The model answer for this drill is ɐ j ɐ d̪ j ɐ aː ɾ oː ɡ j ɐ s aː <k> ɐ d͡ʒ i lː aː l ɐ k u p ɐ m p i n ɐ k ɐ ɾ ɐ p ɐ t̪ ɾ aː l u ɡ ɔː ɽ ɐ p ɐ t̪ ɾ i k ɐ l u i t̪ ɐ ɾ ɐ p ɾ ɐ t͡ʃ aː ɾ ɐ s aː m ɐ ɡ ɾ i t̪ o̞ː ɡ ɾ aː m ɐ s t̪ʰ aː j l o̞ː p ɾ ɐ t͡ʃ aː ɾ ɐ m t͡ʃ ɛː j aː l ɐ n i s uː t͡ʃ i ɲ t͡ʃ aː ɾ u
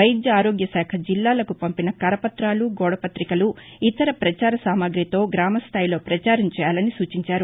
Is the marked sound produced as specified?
no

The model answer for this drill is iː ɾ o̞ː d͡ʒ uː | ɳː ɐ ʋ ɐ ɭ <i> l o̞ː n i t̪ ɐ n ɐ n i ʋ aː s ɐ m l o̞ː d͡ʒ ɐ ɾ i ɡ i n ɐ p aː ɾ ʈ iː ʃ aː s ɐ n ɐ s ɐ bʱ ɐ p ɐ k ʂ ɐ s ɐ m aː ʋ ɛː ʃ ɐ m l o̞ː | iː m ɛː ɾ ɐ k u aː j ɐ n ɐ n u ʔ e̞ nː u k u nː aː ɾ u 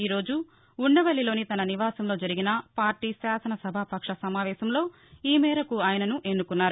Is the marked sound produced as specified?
yes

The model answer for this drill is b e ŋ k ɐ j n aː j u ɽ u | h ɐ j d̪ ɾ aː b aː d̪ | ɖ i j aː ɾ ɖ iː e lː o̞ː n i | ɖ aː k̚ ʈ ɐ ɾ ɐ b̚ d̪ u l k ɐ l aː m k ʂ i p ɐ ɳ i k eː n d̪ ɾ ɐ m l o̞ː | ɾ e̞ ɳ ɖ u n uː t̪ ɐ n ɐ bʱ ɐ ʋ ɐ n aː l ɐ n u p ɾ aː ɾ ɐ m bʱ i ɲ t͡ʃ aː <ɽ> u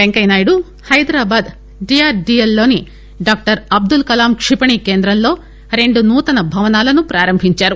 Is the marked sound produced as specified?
no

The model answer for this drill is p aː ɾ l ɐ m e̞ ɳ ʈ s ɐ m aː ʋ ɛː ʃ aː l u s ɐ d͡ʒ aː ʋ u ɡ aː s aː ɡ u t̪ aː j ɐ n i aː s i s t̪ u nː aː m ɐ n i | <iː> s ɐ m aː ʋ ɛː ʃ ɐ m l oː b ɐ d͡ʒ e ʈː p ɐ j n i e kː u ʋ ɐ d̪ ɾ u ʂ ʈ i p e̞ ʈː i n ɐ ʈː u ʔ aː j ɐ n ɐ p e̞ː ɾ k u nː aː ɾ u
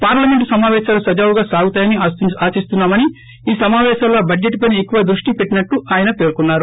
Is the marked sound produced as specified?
yes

